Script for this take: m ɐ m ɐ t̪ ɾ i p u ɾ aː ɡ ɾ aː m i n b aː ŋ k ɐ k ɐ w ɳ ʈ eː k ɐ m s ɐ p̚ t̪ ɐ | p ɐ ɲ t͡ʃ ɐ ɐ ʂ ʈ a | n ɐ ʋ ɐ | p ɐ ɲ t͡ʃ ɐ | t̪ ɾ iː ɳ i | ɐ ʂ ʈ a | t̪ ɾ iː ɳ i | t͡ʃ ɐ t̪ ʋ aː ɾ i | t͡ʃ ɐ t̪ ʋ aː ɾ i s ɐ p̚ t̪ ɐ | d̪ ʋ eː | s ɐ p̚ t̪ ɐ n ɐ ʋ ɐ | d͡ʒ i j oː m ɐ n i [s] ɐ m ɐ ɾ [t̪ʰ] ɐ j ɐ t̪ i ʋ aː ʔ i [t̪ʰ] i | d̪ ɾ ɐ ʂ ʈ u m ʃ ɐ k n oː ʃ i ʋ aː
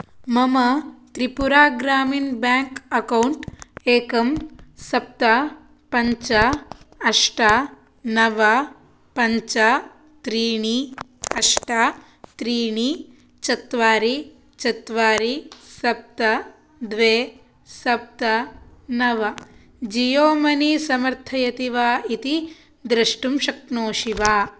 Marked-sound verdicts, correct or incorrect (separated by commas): correct, correct, incorrect